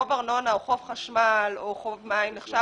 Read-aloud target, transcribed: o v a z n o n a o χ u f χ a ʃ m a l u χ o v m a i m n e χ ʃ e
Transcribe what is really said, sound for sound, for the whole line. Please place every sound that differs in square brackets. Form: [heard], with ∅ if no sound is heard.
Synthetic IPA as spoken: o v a [ʁ] n o n a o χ [o] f χ a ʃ m a l [o] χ o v m a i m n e χ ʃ [a]